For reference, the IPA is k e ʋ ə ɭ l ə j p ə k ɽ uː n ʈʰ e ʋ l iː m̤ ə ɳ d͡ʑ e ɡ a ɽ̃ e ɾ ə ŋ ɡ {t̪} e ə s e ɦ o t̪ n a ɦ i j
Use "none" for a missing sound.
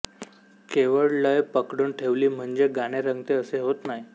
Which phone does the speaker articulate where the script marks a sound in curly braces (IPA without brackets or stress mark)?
t̪